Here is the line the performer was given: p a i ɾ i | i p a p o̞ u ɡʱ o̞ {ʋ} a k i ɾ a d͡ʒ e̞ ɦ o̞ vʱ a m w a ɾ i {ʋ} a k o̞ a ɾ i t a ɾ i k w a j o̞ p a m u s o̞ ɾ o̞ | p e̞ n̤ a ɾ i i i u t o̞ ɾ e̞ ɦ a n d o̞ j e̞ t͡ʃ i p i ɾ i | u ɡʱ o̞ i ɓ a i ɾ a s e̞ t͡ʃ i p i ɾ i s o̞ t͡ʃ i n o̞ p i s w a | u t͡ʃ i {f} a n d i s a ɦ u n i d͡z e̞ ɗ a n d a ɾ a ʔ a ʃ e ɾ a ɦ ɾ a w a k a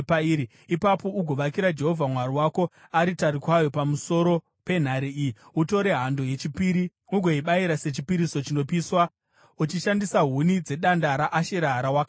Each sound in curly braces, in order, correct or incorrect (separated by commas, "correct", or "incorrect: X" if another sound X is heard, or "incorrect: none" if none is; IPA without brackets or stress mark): correct, incorrect: w, incorrect: ʃ